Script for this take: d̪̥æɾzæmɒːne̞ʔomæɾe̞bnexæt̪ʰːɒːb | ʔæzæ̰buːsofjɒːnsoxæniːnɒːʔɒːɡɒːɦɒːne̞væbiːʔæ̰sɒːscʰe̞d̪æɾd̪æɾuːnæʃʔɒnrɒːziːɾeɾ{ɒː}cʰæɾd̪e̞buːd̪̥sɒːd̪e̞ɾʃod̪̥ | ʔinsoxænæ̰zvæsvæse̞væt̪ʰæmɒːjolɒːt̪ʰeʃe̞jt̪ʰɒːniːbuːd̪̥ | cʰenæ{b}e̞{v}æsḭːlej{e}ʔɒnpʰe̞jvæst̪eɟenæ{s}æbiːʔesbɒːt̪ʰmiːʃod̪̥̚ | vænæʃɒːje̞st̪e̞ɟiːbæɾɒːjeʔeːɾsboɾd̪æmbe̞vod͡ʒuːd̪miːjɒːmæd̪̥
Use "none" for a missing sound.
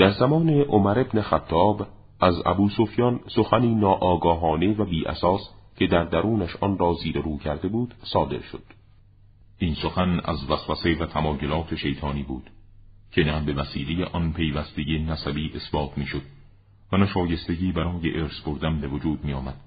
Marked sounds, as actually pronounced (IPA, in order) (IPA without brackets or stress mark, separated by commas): uː, b, v, e, s